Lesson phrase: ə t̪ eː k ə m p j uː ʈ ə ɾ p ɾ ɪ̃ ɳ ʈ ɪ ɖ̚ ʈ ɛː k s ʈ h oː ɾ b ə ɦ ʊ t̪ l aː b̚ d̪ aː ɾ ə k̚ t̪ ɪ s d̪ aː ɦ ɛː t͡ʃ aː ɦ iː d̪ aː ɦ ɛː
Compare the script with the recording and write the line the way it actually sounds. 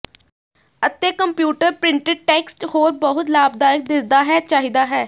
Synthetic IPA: ə t̪ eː k ə m p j uː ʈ ə ɾ p ɾ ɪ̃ ɳ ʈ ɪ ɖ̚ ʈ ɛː k s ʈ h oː ɾ b ə ɦ ʊ t̪ l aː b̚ d̪ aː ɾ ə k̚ d̪ ɪ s d̪ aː ɦ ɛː t͡ʃ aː ɦ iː d̪ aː ɦ ɛː